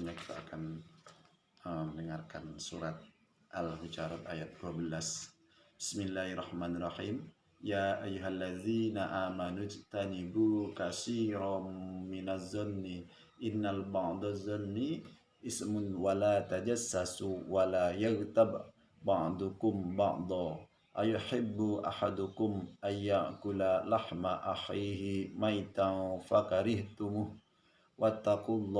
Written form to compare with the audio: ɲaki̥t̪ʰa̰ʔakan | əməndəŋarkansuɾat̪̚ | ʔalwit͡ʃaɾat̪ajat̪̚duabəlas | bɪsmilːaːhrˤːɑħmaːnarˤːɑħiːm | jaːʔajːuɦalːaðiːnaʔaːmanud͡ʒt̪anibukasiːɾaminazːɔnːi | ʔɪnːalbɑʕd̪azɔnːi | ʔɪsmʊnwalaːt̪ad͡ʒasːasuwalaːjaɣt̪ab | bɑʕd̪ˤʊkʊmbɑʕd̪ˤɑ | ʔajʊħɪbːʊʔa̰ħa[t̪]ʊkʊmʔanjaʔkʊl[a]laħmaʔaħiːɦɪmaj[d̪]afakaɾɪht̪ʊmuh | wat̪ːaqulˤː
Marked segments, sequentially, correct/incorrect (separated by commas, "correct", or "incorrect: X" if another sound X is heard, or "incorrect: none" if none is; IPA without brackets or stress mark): incorrect: d̪, correct, incorrect: t̪